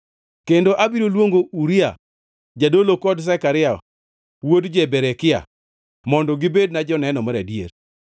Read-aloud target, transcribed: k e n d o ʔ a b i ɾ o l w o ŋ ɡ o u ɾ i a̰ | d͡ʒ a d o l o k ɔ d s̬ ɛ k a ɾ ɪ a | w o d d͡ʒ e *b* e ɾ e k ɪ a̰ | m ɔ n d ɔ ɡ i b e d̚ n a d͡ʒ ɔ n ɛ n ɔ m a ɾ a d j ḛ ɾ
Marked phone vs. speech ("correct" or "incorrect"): correct